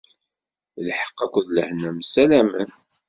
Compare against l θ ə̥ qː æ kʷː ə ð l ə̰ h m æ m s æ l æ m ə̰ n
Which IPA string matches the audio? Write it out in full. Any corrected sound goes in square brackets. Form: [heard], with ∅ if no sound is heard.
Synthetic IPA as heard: l [ħ] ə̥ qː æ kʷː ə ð l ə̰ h [n] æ m s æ l æ m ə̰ n